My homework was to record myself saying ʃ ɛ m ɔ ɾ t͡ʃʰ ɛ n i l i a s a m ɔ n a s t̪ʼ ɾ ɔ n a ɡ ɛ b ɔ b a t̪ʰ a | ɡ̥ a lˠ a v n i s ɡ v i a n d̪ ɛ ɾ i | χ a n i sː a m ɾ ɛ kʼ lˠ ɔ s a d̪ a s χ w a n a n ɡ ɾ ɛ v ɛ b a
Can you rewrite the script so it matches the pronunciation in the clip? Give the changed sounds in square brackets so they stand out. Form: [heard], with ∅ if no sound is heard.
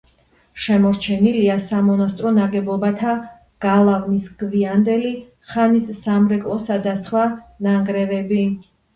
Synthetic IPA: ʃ ɛ m ɔ ɾ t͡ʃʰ ɛ n i l i a s a m ɔ n a s t̪ʼ ɾ ɔ n a ɡ ɛ b ɔ b a t̪ʰ a | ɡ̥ a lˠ a v n i s ɡ v i a n d̪ ɛ [l] i | χ a n i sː a m ɾ ɛ kʼ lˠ ɔ s a d̪ a s χ w a n a [ŋ] ɡ ɾ ɛ v ɛ b [i]